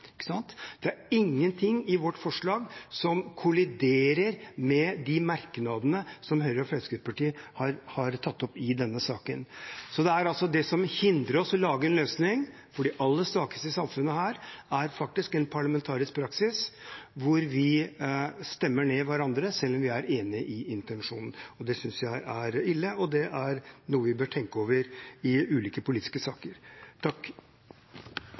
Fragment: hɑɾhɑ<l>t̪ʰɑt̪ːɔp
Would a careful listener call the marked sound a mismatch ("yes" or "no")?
yes